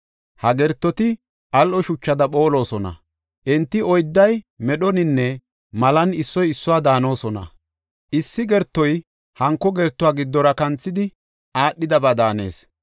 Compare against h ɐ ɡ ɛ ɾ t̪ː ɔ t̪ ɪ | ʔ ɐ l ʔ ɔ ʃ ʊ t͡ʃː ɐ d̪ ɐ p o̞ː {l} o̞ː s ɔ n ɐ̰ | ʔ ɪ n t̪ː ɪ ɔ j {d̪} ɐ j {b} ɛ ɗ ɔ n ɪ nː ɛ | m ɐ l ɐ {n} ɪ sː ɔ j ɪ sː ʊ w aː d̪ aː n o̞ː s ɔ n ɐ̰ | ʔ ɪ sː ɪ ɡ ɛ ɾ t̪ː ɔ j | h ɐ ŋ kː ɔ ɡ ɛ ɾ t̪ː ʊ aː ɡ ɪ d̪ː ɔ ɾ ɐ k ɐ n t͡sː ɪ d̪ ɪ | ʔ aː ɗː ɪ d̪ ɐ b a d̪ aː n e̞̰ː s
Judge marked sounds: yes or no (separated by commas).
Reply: yes, no, no, yes